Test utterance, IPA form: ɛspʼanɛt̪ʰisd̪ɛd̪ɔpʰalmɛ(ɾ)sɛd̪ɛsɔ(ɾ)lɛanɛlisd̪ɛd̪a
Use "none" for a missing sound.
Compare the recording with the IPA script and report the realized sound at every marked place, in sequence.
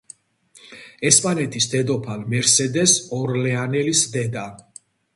ɾ, ɾ

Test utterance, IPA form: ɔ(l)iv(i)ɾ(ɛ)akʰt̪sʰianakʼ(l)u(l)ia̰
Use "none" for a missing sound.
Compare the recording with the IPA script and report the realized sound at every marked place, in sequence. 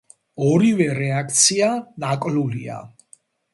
ɾ, ɛ, ɛ, l, l

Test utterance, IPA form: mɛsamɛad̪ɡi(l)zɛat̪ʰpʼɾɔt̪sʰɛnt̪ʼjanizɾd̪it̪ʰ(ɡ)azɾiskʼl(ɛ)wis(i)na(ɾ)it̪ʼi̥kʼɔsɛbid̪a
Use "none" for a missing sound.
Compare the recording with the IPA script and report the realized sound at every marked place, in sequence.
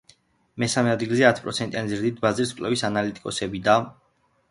l, b, ɛ, a, l

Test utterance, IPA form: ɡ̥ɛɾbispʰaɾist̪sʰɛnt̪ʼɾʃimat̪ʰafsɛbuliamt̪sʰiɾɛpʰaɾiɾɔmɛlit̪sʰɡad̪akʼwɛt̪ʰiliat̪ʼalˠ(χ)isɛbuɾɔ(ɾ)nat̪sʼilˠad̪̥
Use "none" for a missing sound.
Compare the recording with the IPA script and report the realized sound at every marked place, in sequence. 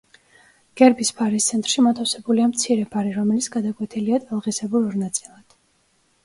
ʁ, ɾ

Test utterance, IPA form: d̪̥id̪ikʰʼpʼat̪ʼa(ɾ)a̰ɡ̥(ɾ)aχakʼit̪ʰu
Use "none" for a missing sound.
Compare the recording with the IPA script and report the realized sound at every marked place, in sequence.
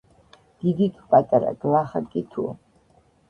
ɾ, l

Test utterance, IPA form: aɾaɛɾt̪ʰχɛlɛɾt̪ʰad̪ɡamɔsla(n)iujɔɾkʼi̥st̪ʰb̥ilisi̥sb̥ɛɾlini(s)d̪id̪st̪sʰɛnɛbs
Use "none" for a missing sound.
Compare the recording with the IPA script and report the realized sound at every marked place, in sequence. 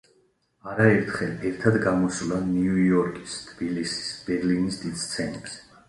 n, s

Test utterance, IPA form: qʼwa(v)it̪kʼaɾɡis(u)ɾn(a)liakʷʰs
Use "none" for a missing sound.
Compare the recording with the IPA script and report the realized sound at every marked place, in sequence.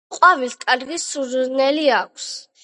v, u, ɛ

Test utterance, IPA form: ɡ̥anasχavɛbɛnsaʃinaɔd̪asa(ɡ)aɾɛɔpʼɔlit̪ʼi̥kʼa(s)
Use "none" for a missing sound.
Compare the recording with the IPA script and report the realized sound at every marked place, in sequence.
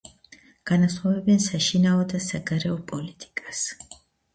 ɡ, s

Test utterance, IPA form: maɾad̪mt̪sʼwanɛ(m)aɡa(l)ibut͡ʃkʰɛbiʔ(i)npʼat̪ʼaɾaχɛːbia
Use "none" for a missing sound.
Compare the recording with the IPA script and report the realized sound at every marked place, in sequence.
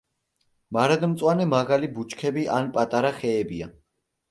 m, l, a

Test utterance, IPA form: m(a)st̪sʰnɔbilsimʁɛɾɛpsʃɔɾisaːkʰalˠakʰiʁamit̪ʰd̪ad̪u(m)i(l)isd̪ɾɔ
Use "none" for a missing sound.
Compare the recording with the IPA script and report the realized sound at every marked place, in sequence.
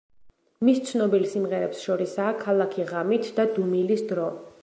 i, m, l

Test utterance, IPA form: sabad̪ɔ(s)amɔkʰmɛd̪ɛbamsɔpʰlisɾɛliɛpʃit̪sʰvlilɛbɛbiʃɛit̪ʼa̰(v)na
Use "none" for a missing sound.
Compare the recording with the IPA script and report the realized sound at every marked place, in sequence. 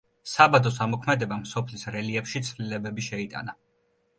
s, none

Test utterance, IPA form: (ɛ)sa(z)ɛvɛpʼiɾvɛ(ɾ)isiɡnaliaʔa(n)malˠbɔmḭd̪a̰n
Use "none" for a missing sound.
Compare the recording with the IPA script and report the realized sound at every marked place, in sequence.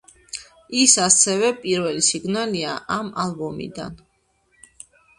i, s, l, none

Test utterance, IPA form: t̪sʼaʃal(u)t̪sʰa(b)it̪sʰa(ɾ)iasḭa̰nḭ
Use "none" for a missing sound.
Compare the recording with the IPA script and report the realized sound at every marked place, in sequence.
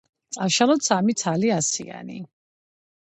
ɔ, m, l

